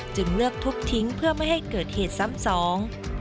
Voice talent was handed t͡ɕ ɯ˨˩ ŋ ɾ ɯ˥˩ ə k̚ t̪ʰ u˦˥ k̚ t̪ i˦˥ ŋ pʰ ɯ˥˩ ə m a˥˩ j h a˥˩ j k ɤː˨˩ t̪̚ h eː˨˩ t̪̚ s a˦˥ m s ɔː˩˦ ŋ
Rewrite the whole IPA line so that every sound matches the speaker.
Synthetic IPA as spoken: t͡ɕ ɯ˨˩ ŋ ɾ ɯ˥˩ ə k̚ t̪ʰ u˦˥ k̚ t̪ʰ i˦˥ ŋ pʰ ɯ˥˩ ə m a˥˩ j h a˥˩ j k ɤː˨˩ t̪̚ h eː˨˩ t̪̚ s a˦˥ m s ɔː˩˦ ŋ